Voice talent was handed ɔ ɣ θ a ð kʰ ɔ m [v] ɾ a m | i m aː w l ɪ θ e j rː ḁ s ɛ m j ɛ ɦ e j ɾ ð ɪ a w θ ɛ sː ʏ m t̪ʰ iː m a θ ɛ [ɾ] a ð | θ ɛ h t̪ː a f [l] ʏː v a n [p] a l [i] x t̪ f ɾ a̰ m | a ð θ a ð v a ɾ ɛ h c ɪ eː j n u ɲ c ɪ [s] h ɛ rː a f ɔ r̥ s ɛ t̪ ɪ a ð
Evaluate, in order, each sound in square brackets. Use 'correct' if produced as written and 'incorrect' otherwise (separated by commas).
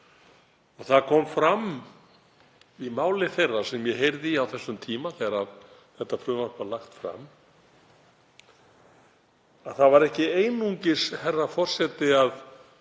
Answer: incorrect, correct, incorrect, correct, incorrect, correct